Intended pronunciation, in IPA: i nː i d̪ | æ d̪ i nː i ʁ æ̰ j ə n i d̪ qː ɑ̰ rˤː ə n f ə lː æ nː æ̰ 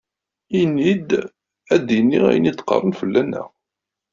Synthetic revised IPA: i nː i d̪ | æ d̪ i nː i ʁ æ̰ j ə n i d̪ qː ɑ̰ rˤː ə n f ə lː æ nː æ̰